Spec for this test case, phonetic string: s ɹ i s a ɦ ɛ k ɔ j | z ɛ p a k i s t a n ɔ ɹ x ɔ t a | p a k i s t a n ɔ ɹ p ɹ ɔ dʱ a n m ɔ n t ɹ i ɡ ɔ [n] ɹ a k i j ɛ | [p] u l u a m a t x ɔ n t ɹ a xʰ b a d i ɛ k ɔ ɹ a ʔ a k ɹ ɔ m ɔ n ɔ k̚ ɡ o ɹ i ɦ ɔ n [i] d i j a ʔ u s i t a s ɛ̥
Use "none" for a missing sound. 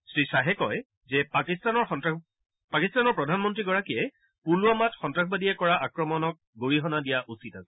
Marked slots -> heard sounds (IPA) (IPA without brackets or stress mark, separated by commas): none, p, a